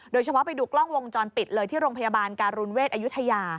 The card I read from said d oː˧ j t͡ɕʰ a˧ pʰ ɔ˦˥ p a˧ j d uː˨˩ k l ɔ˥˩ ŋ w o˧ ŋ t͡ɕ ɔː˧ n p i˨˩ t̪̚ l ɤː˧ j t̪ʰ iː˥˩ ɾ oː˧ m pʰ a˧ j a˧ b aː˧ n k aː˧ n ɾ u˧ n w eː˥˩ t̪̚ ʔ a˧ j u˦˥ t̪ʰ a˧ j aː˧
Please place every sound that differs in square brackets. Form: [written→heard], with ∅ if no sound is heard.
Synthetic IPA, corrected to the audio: d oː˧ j t͡ɕʰ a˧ pʰ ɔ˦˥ p a˧ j d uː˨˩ k l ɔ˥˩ ŋ w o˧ ŋ t͡ɕ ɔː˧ n p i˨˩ t̪̚ l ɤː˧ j t̪ʰ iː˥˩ ɾ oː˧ [m→ŋ] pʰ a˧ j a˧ b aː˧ n k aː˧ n ɾ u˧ n w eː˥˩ t̪̚ ʔ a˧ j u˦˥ t̪ʰ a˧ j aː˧